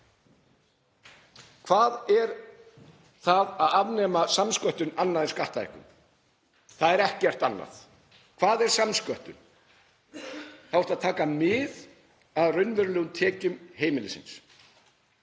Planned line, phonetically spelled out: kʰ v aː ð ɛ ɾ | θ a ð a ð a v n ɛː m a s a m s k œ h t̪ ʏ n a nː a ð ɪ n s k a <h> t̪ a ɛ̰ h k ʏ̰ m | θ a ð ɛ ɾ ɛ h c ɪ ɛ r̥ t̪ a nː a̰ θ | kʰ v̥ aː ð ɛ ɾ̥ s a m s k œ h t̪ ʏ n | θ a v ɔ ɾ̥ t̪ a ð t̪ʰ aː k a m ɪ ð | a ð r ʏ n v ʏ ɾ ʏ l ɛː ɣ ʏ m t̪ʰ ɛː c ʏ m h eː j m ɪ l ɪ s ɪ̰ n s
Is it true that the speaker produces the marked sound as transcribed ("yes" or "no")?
yes